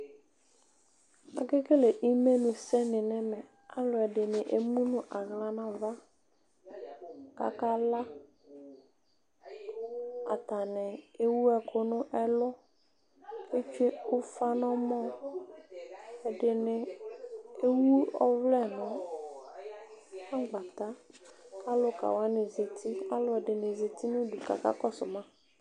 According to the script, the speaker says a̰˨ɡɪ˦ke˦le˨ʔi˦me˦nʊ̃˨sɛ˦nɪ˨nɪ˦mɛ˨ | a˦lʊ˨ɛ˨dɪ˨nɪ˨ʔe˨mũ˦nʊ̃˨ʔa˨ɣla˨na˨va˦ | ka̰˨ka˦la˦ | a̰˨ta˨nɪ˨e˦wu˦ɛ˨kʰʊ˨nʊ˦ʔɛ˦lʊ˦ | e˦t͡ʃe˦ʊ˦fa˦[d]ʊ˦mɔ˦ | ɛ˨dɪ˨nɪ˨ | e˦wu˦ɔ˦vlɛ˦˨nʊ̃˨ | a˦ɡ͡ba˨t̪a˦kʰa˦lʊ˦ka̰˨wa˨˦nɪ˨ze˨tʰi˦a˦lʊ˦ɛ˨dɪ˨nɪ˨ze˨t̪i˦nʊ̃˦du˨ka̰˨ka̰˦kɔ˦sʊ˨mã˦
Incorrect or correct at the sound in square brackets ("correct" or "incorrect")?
incorrect